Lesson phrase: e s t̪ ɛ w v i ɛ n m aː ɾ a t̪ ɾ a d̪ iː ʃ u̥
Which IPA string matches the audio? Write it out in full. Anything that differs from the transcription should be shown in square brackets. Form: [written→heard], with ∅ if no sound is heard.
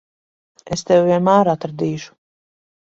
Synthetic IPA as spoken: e s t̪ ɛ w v i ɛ n m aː ɾ a t̪ ɾ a d̪ iː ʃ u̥